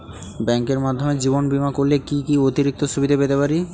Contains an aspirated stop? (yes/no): no